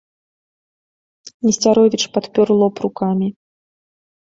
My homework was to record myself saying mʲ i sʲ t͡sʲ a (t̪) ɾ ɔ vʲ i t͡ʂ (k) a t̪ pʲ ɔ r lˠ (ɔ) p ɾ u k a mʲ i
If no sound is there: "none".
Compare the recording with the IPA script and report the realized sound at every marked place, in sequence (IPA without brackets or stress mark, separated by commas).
none, p, ɔ